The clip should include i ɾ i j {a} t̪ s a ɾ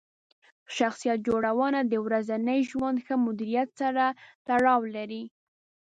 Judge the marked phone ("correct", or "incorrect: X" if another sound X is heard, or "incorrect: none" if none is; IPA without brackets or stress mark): correct